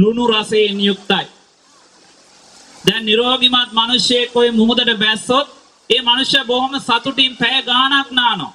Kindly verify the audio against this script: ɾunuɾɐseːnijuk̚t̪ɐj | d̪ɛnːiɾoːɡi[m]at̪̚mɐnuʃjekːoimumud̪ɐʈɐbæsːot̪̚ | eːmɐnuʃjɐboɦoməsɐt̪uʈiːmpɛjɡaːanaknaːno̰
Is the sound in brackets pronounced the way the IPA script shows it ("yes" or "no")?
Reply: yes